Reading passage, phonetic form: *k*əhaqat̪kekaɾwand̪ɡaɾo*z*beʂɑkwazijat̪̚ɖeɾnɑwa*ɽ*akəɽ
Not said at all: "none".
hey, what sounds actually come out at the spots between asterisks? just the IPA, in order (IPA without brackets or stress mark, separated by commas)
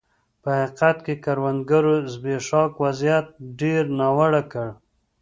p, z, ɽ